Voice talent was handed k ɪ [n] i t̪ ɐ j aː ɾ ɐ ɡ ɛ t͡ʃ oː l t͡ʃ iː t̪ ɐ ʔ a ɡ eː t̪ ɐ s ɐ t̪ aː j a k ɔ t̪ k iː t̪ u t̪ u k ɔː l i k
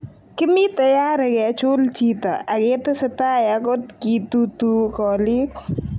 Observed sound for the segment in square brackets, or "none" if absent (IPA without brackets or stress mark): m